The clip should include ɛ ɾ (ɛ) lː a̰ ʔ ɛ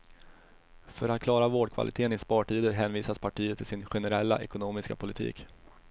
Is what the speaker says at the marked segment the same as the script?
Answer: yes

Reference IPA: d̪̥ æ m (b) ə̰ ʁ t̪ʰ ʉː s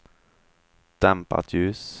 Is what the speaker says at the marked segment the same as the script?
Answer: no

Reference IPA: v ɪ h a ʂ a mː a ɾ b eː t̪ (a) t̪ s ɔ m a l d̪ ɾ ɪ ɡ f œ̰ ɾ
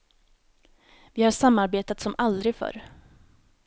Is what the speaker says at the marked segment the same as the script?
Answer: yes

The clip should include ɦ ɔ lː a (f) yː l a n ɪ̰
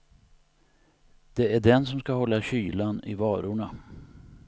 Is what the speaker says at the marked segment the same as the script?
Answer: no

